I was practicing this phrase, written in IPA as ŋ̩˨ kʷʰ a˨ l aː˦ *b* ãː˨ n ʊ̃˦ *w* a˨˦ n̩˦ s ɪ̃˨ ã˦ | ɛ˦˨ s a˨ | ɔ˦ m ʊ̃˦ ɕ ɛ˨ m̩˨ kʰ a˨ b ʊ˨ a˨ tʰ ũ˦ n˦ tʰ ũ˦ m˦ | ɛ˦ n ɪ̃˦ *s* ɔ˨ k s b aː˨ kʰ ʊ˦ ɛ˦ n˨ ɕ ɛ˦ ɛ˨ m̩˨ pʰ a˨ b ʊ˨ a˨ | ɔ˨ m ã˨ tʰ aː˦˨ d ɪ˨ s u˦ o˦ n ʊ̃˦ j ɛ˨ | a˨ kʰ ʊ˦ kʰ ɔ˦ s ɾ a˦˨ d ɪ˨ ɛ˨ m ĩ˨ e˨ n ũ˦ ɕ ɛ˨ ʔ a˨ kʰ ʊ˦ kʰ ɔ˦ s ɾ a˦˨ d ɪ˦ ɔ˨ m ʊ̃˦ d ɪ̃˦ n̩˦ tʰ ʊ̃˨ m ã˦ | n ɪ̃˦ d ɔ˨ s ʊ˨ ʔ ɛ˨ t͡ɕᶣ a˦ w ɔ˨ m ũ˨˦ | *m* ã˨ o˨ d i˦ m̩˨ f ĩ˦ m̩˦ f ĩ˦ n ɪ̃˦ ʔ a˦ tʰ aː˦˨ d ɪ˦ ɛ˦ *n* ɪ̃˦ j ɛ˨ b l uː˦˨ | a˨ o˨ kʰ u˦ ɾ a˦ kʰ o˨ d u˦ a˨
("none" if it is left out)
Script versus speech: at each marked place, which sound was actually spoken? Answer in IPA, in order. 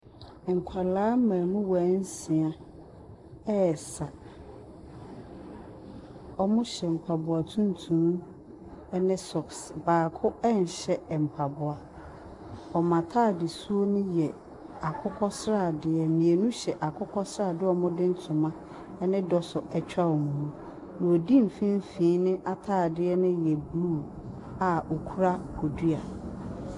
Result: m, w, s, n, n

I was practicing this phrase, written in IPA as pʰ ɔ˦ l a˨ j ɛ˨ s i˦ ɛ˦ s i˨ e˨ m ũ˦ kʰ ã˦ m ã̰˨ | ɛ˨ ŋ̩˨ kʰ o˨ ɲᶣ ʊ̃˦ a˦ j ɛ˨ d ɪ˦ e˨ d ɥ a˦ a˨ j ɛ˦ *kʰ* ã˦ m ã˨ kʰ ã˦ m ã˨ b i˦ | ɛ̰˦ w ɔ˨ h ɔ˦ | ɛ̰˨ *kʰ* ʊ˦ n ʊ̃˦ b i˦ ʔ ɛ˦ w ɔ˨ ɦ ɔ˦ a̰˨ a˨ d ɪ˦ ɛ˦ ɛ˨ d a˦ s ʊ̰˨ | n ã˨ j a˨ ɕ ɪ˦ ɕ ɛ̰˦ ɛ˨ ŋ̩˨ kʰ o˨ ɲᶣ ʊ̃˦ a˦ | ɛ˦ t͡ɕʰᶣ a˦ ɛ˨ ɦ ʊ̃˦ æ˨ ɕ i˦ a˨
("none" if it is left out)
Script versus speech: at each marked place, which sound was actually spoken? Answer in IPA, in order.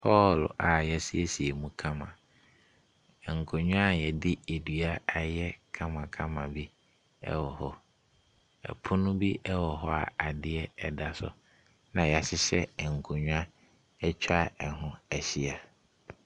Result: kʰ, pʰ

